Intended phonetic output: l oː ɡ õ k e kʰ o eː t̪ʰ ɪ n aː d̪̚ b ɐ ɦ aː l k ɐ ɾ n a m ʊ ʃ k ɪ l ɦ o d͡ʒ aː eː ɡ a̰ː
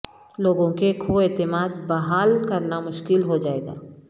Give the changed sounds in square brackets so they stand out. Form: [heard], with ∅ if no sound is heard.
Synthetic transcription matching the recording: l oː ɡ õ k e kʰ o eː [t̪] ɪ [m] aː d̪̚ b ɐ ɦ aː l k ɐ ɾ n a m ʊ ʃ k ɪ l ɦ o d͡ʒ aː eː ɡ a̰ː